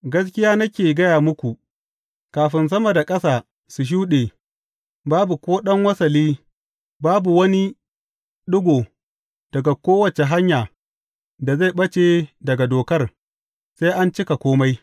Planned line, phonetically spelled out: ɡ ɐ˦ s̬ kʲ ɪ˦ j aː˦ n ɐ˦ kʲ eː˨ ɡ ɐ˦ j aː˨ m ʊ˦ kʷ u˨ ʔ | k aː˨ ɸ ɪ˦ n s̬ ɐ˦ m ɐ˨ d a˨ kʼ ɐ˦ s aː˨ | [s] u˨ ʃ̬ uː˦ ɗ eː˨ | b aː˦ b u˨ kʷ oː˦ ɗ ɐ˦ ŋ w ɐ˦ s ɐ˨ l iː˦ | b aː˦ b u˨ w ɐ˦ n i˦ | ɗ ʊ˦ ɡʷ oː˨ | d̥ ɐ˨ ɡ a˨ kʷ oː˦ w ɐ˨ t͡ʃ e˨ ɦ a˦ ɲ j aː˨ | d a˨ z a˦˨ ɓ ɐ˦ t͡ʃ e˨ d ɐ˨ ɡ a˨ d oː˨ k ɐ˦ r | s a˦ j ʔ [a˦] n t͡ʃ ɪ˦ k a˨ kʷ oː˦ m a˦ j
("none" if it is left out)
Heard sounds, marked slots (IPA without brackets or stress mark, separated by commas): s, a˦